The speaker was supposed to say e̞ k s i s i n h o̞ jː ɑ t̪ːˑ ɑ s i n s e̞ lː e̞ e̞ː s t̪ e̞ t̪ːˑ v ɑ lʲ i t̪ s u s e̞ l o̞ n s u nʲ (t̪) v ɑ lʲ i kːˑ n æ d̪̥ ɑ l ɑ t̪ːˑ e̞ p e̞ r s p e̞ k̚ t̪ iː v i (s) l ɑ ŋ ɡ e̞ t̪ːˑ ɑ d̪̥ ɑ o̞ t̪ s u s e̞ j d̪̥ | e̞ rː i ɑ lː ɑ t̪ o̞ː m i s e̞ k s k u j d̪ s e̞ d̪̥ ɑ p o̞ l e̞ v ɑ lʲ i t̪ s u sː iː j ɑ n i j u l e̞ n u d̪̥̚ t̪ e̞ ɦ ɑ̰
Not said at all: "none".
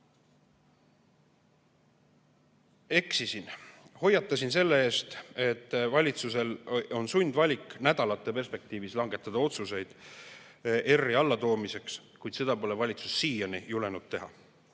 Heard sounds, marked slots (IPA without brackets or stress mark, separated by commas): d̪, s